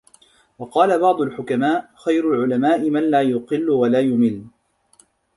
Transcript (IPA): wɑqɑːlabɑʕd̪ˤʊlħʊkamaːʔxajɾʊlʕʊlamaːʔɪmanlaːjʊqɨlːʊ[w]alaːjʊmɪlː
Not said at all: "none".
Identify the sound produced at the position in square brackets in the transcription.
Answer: w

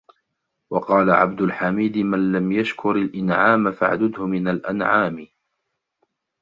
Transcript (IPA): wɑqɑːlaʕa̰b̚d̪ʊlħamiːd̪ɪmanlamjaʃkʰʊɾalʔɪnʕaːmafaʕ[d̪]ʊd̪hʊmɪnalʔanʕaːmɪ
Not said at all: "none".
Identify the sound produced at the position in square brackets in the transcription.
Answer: d̪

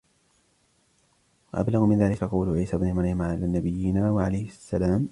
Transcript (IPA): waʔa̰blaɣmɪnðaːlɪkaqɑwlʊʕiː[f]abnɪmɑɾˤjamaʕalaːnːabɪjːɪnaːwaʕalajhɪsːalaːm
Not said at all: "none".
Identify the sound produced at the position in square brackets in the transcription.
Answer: s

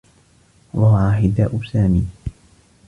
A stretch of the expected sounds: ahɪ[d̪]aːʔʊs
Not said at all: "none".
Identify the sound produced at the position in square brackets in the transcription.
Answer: d̪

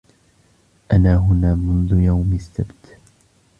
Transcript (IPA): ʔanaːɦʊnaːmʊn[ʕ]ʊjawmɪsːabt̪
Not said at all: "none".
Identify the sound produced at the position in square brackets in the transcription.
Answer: ð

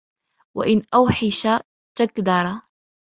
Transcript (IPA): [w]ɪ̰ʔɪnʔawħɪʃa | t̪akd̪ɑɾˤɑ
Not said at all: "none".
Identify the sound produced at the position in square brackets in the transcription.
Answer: w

